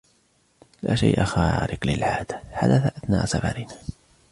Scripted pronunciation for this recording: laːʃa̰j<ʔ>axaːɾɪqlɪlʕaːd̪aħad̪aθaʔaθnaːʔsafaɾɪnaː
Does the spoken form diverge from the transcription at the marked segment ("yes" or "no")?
no